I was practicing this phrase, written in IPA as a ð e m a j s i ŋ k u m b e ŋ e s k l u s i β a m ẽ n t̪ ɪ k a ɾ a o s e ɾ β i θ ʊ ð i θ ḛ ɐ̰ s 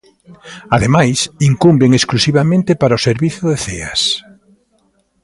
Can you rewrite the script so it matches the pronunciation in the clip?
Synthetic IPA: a ð e m a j s i ŋ k u m b e ŋ e s k l u s i β a m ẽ n t̪ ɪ p a ɾ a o s e ɾ β i θ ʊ ð e θ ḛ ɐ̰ s